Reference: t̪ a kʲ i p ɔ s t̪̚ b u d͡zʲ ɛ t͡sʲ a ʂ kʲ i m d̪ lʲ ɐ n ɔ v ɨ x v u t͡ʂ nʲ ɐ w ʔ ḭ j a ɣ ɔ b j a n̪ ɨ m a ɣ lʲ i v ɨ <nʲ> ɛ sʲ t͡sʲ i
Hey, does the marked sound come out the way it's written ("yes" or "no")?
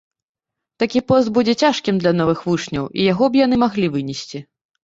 yes